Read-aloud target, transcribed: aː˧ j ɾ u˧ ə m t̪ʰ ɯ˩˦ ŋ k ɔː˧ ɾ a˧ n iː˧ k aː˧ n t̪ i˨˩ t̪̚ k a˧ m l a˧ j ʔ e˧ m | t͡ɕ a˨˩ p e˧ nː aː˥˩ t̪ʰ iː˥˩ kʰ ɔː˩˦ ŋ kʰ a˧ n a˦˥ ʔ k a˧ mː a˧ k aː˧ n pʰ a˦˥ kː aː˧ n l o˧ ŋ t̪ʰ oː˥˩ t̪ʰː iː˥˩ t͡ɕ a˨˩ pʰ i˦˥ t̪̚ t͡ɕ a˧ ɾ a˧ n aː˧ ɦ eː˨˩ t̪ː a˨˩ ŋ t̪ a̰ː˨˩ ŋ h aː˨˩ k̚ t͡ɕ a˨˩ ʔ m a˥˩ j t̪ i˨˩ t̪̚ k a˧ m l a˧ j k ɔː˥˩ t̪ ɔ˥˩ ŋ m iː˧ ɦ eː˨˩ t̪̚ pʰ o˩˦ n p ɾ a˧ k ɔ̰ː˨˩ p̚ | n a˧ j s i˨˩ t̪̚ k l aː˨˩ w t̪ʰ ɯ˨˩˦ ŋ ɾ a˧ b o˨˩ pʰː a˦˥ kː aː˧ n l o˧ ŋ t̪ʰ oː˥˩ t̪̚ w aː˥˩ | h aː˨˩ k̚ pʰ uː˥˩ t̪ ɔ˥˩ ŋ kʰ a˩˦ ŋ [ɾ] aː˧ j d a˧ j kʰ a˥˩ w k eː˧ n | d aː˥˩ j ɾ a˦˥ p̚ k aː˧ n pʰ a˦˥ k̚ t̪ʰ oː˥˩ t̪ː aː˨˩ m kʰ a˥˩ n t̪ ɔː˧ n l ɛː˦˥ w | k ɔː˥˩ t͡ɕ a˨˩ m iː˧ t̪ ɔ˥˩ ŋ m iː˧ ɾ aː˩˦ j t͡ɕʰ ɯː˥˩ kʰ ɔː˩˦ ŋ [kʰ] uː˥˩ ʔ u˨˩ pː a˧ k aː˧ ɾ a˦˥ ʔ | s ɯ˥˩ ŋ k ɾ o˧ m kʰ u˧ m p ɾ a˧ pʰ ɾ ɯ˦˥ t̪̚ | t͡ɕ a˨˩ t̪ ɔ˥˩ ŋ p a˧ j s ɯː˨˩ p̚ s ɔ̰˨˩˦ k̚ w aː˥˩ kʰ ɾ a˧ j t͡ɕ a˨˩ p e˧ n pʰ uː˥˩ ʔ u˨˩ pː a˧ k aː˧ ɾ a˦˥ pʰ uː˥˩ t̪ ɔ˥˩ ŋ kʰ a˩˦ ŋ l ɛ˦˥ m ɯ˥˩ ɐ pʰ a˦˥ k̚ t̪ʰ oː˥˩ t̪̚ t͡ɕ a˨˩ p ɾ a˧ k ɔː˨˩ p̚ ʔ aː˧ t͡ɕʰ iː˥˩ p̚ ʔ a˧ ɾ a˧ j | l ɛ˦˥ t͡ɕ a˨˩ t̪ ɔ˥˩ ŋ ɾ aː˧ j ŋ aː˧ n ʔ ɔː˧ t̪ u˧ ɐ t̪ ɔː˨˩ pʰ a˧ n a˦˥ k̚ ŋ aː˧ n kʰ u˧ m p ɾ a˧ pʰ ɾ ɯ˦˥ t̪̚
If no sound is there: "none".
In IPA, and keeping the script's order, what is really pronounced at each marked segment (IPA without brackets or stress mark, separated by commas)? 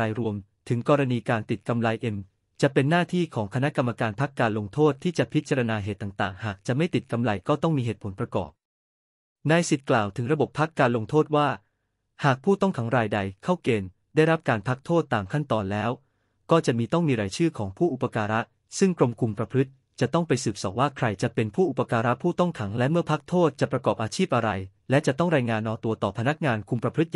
ɾ, pʰ